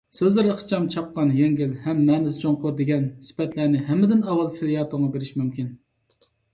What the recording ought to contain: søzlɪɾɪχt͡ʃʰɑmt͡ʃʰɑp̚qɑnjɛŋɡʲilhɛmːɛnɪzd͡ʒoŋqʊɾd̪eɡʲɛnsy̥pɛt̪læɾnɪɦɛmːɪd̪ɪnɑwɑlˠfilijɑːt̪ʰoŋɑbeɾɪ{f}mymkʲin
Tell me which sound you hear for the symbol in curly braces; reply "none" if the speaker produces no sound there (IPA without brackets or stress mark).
ʃ